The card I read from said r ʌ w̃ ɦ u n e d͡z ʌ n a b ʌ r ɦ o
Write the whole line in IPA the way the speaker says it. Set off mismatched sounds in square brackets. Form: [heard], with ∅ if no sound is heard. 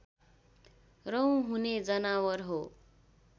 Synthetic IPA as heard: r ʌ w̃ ɦ u n e d͡z ʌ n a [w] ʌ r ɦ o